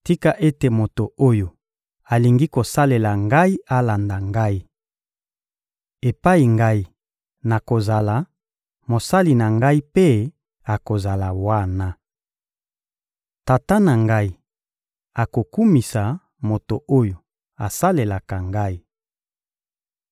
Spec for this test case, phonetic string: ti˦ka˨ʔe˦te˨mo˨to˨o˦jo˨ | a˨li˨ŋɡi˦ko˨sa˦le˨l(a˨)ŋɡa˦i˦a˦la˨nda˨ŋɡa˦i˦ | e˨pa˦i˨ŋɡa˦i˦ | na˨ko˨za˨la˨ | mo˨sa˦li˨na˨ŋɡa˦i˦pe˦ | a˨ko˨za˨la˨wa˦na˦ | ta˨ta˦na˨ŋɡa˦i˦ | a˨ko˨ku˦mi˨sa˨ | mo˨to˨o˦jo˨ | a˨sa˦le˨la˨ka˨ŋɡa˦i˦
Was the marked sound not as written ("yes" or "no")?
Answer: no